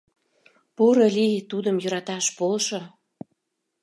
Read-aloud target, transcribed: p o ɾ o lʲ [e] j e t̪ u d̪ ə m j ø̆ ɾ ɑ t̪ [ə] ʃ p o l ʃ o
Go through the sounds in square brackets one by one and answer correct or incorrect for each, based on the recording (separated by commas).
incorrect, incorrect